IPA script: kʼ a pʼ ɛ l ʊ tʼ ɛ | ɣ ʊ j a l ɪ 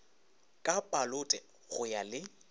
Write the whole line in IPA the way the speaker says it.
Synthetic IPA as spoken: kʼ a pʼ a l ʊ tʼ ɛ | ɣ ʊ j a l ɪ